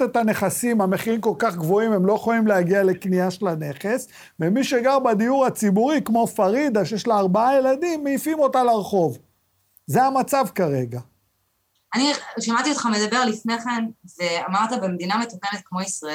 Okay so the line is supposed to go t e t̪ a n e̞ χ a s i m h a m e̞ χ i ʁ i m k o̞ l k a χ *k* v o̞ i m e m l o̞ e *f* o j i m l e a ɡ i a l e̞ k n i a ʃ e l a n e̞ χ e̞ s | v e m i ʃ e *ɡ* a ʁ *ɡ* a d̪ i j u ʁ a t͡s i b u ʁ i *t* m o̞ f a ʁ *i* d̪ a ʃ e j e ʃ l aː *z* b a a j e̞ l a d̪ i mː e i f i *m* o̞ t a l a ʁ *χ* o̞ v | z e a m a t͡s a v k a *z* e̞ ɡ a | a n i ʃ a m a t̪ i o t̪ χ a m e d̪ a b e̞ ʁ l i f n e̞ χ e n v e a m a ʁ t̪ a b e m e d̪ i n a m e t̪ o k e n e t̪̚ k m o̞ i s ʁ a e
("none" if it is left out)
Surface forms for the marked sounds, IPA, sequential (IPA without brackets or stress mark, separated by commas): ɡ, χ, ɡ, b, k, i, ʁ, m, χ, ʁ